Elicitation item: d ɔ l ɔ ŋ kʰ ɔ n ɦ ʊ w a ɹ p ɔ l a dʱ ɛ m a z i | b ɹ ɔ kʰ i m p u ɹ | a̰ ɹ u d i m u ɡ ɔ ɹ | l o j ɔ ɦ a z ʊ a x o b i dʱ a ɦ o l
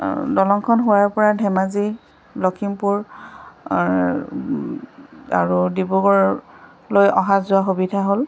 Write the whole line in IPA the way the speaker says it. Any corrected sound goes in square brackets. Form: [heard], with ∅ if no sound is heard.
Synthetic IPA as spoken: d ɔ l ɔ ŋ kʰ ɔ n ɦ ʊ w a ɹ p ɔ [ɹ] a dʱ ɛ m a z i | b [l] ɔ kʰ i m p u ɹ | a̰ ɹ u d i [b] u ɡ ɔ ɹ | l o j ɔ ɦ a z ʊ a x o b i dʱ a ɦ o l